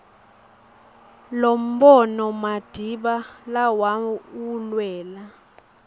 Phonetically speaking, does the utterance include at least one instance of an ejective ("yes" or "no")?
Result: no